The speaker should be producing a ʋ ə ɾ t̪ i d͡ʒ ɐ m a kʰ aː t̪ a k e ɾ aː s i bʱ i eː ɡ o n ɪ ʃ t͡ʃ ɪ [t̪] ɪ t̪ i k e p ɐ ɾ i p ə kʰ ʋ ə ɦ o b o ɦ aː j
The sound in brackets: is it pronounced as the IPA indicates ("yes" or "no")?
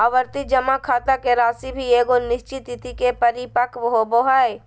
yes